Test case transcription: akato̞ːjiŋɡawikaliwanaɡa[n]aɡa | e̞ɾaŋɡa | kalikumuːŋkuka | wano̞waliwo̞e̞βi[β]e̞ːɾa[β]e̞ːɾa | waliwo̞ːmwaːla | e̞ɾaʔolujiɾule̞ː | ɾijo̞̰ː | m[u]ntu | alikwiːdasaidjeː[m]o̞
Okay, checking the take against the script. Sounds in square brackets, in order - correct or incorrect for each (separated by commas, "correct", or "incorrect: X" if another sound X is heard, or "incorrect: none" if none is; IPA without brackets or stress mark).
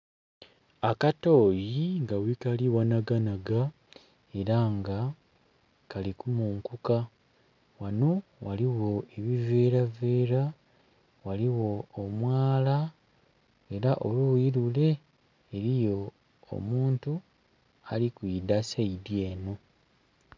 correct, incorrect: v, incorrect: v, incorrect: uː, incorrect: n